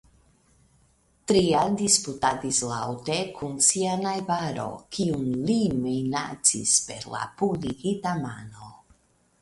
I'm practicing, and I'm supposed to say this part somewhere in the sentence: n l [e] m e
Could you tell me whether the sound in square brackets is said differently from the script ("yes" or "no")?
yes